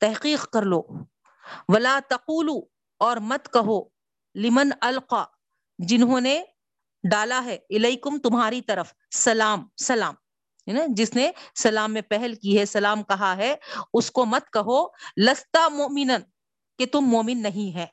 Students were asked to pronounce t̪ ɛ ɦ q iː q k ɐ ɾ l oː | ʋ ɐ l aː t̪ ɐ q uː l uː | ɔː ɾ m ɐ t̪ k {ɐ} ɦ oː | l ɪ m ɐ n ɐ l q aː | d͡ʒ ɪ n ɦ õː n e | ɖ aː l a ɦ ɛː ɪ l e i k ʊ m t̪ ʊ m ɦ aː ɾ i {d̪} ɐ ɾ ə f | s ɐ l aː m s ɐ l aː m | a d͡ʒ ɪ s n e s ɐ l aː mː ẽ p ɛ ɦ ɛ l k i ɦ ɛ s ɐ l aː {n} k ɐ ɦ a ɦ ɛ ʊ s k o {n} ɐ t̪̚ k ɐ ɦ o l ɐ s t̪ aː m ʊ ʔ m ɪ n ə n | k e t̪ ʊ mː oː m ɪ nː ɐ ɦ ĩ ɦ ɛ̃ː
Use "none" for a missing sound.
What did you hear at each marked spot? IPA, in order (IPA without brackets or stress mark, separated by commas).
ɐ, t̪, m, m